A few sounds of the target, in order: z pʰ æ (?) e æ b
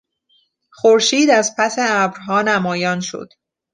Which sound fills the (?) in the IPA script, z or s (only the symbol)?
s